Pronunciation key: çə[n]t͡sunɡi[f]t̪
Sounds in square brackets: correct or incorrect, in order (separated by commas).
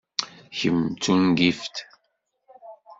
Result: incorrect, correct